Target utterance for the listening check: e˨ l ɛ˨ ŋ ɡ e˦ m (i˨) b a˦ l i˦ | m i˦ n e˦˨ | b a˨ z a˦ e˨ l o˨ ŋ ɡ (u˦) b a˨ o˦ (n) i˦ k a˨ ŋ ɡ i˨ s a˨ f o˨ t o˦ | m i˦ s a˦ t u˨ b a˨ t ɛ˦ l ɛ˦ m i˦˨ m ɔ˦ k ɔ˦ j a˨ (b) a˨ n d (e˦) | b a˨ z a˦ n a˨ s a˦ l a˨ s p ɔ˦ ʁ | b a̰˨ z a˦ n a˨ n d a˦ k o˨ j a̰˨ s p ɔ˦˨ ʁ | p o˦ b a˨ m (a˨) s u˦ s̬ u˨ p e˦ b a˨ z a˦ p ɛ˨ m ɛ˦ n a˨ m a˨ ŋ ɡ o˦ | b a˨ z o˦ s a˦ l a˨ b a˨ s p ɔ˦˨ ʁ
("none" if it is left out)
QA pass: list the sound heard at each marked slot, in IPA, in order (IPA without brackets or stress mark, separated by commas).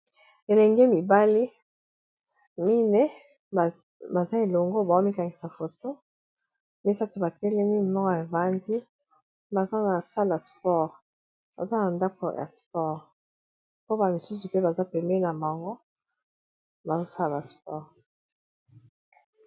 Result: i˨, o˦, m, v, i˦, i˨